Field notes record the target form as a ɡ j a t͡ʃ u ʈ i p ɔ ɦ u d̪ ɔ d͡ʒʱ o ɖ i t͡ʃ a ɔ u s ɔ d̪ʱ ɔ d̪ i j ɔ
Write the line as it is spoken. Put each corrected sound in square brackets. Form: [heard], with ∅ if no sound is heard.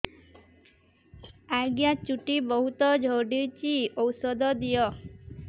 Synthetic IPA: a ɡ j a t͡ʃ u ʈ i [b] ɔ ɦ u [t̪] ɔ d͡ʒʱ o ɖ i t͡ʃ [i] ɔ [w] s ɔ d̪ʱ ɔ d̪ i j ɔ